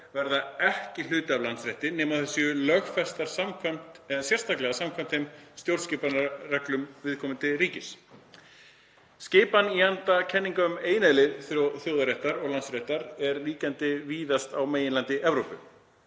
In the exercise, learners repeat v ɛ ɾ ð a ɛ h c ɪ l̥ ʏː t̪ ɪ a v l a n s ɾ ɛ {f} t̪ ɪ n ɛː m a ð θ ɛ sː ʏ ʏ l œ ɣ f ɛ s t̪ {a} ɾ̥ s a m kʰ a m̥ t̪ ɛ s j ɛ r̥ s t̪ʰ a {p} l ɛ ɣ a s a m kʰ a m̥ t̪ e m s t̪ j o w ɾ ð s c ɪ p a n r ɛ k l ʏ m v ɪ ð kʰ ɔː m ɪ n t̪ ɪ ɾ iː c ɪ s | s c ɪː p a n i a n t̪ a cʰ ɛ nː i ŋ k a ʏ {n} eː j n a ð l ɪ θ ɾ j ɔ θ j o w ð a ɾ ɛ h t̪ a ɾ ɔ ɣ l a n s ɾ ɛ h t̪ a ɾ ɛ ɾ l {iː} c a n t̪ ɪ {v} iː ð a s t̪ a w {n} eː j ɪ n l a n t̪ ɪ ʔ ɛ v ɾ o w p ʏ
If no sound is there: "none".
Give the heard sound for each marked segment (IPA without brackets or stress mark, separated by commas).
h, a, k, m, iː, v, m